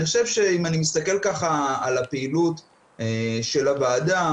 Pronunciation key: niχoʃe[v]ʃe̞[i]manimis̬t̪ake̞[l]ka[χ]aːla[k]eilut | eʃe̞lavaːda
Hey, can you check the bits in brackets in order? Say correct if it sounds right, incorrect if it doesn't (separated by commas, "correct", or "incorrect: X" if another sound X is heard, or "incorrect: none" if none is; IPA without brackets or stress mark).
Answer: correct, correct, correct, correct, incorrect: p